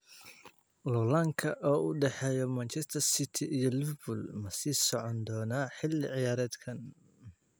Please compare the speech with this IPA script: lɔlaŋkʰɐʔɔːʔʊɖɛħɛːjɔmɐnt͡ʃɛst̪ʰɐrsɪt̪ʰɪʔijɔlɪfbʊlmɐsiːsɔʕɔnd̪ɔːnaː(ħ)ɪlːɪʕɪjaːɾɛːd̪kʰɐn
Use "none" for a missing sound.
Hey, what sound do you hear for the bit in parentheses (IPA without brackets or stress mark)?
ħ